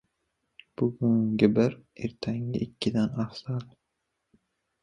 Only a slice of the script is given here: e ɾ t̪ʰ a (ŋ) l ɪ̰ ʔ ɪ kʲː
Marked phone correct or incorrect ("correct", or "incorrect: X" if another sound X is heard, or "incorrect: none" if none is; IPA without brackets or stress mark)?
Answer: correct